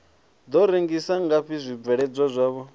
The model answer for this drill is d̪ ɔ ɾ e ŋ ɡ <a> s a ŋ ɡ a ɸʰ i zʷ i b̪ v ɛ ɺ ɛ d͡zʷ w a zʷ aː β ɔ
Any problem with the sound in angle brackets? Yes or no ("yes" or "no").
yes